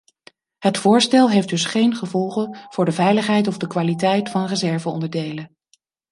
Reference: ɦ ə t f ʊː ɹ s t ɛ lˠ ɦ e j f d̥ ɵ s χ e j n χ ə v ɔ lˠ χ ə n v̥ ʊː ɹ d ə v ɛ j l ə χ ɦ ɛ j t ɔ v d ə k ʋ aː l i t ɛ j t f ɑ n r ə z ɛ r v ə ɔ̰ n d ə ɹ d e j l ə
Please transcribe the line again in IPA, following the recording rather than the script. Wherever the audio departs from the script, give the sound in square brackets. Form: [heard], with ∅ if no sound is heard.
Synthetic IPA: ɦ ə t f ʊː ɹ s t ɛ lˠ ɦ e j f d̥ ɵ s χ e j n χ ə v ɔ lˠ χ ə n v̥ ʊː ɹ d ə v ɛ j l ə χ ɦ ɛ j t ɔ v d ə k ʋ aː l i t ɛ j t f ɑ n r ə z ɛ [ɹ] v ə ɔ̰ n d ə ɹ d e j l ə